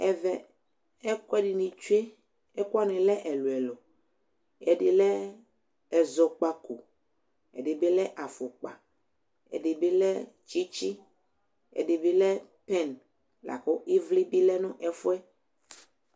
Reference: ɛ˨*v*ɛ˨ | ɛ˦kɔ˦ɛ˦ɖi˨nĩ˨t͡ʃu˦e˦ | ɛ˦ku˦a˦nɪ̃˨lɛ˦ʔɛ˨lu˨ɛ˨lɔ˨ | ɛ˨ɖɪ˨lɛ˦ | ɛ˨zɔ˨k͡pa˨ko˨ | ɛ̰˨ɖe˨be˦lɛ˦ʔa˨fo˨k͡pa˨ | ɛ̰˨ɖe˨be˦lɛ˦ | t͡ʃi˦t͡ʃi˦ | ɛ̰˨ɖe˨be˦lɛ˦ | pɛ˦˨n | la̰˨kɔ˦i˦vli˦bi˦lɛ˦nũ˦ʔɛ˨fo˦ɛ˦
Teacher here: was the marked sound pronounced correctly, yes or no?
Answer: yes